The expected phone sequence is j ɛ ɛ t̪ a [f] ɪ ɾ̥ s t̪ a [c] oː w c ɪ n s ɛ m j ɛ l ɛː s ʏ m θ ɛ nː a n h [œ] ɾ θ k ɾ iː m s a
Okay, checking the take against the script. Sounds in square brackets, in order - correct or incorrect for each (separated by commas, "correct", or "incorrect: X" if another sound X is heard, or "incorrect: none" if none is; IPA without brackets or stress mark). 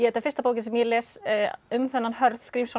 correct, incorrect: p, correct